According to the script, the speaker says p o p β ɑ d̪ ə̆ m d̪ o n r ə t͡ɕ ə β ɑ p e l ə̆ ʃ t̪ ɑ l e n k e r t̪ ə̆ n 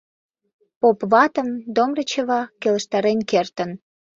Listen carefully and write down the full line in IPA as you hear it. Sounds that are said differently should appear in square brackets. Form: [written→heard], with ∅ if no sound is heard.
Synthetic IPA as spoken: p o p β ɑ [d̪→t̪] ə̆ m d̪ o [n→m] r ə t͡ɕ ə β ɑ [p→k] e l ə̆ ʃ t̪ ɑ [l→ɾ] e n k e r t̪ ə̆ n